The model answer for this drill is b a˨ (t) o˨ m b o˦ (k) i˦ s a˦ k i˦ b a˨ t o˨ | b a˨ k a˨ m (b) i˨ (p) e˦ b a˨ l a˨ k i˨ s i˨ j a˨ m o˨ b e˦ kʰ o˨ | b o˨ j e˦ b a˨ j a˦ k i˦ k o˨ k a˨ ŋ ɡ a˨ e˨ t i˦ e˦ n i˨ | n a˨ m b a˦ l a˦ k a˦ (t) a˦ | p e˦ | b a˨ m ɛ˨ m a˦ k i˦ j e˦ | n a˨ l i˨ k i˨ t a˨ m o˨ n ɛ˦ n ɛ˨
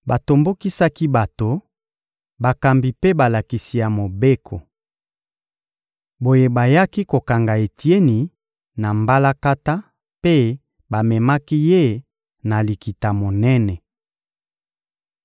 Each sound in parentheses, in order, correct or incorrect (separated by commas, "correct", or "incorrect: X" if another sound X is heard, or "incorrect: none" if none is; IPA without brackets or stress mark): correct, correct, correct, correct, correct